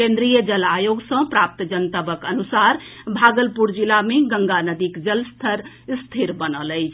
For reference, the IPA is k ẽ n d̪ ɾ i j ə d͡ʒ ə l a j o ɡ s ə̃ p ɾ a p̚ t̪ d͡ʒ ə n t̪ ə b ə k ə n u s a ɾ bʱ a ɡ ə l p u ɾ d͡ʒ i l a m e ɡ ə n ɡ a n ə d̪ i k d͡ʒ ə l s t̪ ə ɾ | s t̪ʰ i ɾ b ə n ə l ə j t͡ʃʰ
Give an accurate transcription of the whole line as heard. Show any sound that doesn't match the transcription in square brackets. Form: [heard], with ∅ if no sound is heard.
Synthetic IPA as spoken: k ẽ n d̪ ɾ i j ə d͡ʒ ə l a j o ɡ s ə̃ p ɾ a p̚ t̪ d͡ʒ ə n t̪ ə b ə k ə n u s a ɾ bʱ a ɡ ə l p u ɾ d͡ʒ i l a m e ɡ ə [ŋ] ɡ a n ə d̪ i k d͡ʒ ə l s [t̪ʰ] ə ɾ | s t̪ʰ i ɾ b ə n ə l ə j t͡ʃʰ